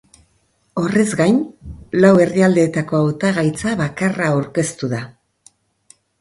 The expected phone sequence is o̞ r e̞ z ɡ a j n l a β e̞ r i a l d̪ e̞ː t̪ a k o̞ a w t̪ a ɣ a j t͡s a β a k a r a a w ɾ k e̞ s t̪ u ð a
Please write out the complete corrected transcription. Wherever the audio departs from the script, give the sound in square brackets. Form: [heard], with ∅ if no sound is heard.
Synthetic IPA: o̞ r e̞ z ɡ a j n l a [w] e̞ r i a l d̪ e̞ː t̪ a k o̞ a w t̪ a ɣ a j t͡s a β a k a r a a w ɾ k e̞ s t̪ u ð a